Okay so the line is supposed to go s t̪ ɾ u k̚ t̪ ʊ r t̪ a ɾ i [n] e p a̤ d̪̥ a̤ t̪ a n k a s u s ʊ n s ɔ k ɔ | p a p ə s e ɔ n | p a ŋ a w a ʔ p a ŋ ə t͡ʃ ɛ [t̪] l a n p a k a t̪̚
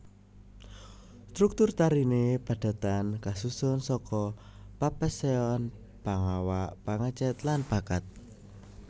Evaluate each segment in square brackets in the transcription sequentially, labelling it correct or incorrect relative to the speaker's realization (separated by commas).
correct, correct